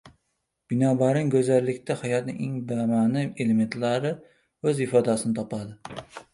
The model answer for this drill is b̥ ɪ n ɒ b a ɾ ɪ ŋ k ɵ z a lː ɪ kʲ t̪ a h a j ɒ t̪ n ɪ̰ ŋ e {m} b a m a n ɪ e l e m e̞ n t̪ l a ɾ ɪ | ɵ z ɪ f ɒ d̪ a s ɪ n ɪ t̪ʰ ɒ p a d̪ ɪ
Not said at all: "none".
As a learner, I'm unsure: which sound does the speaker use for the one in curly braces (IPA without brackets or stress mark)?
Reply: ŋ